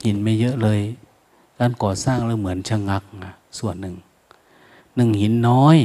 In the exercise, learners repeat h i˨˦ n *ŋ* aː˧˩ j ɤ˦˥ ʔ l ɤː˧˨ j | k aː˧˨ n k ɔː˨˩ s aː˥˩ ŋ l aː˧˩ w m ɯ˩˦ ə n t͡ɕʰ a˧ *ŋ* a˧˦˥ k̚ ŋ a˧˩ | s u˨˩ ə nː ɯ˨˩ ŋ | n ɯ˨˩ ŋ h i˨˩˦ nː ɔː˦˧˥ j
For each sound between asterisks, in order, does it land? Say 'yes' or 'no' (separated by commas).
no, yes